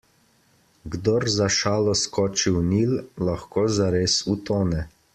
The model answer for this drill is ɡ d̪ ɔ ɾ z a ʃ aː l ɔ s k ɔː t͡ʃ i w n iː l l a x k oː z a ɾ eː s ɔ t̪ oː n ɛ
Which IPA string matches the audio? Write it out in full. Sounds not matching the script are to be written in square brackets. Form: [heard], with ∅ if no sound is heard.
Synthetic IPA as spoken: ɡ d̪ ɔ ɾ z a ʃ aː l ɔ s k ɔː t͡ʃ i w n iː l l a x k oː z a ɾ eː s [u] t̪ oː n ɛ